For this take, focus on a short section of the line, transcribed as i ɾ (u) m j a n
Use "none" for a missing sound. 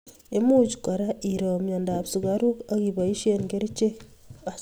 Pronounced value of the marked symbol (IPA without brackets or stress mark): o